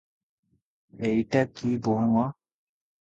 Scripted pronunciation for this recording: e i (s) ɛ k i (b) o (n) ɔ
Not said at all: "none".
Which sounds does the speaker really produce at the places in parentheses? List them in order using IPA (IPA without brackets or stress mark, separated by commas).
t, b, ŋ